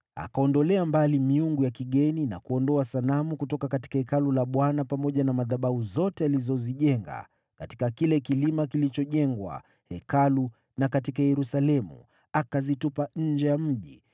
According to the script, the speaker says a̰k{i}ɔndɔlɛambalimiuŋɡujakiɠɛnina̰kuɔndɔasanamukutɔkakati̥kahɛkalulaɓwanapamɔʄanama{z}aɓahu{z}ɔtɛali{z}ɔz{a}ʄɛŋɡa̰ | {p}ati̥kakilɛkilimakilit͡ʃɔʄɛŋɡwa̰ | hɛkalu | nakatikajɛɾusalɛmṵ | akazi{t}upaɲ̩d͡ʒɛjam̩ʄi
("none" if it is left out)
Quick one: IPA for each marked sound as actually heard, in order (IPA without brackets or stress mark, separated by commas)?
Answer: a, ð, z, z, i, k, t